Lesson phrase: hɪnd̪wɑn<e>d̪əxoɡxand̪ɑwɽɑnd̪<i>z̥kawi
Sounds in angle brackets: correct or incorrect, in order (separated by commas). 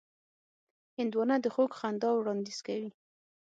incorrect, correct